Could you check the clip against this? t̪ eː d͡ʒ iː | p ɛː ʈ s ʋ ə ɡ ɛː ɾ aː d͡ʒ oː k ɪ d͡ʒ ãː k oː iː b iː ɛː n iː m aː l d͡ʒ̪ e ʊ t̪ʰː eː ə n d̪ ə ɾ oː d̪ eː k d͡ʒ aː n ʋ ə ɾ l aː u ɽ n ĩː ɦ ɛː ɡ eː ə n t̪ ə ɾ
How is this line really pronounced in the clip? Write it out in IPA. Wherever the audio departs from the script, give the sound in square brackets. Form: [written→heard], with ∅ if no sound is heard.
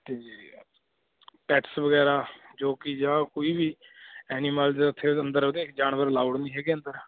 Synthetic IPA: t̪ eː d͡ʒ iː | p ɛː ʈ s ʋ ə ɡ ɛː ɾ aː d͡ʒ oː k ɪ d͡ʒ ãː k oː iː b iː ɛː n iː m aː l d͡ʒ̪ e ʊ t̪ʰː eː ə n d̪ ə ɾ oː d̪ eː k d͡ʒ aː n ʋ ə ɾ l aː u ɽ n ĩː ɦ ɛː ɡ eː ə n [t̪→d̪] ə ɾ